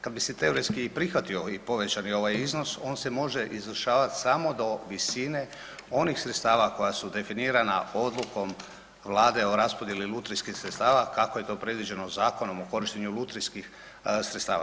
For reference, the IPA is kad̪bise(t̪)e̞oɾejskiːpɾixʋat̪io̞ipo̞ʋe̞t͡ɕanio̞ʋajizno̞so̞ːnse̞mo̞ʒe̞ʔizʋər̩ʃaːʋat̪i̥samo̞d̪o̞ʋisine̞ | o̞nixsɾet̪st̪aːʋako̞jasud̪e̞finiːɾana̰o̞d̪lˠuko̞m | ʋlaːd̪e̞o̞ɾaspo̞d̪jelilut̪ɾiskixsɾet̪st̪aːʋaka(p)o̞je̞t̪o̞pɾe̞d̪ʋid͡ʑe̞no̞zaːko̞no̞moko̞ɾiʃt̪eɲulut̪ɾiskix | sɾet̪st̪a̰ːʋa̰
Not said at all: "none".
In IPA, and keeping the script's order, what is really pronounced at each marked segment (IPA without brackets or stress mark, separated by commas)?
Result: t̪, k